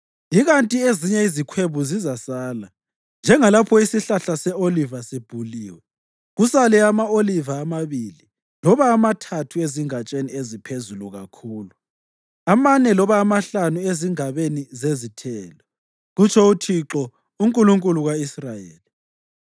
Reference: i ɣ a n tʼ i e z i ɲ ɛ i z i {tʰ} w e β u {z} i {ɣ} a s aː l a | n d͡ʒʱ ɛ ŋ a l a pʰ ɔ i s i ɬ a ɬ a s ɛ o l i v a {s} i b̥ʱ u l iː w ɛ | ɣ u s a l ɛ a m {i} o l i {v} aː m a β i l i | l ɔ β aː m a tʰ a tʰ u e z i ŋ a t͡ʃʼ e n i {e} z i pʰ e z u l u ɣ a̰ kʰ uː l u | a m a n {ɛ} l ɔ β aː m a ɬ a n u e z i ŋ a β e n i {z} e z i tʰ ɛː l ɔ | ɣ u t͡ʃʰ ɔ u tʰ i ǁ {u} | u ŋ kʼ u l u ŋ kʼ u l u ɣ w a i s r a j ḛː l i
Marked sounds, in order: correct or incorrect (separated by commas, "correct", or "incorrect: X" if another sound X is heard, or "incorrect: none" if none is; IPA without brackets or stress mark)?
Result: incorrect: kʰ, correct, incorrect: z, correct, incorrect: a, correct, correct, correct, correct, incorrect: ɔ